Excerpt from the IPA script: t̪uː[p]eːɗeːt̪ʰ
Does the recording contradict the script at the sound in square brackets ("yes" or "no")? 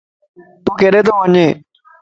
yes